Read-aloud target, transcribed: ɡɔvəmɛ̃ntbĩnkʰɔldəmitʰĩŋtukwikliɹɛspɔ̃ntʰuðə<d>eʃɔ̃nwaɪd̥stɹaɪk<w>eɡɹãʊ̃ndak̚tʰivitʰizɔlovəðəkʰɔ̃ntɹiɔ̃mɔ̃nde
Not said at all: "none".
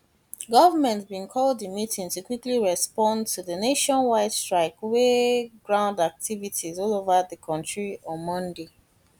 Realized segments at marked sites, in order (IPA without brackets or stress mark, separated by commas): n, w